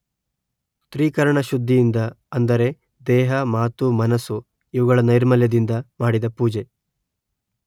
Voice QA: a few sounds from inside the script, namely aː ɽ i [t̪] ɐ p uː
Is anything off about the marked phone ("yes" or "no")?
yes